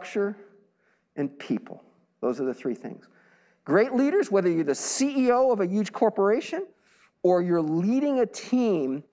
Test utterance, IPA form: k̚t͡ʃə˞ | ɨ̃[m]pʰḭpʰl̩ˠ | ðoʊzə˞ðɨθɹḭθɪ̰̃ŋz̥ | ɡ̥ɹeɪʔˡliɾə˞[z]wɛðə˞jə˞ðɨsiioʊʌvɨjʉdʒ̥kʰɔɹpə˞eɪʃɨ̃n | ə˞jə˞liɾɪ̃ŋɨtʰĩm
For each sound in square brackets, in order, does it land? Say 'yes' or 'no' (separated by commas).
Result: no, yes